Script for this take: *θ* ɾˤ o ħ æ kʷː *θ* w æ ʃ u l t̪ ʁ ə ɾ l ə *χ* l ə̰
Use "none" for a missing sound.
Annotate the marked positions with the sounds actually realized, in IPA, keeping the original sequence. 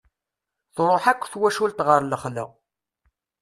θ, θ, χ

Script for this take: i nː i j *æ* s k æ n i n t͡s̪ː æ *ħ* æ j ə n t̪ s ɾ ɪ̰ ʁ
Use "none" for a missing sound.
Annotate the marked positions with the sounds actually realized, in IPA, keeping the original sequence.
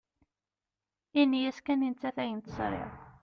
æ, θ

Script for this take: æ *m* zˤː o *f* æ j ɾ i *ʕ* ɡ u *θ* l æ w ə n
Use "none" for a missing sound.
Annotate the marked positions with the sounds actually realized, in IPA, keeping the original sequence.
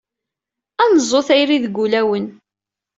n, θ, ð, none

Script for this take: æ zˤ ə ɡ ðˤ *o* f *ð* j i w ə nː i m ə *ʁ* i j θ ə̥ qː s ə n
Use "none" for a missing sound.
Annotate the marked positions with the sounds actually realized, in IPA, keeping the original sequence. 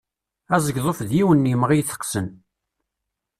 o, ð, ʁ

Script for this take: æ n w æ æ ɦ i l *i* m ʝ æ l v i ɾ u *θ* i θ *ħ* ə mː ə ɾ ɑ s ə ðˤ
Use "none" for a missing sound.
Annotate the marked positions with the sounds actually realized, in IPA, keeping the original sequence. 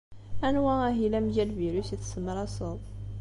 æ, s, s

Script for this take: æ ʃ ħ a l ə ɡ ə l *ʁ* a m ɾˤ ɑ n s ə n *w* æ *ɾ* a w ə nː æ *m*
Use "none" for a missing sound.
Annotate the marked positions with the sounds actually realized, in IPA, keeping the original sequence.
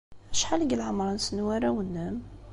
ʕ, w, ɾ, m

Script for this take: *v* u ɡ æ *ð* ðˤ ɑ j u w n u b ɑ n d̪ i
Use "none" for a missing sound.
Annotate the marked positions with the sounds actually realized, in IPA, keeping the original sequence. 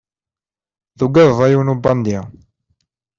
ð, ð

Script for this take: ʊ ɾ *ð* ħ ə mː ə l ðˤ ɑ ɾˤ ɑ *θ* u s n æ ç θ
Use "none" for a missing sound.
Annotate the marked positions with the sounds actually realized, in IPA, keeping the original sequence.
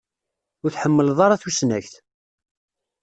θ, θ

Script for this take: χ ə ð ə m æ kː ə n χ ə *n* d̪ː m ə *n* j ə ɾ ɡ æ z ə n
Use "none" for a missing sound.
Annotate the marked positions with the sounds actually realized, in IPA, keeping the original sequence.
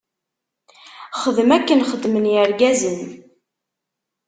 none, n

